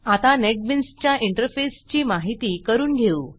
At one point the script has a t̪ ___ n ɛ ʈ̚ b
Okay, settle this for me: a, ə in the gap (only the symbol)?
a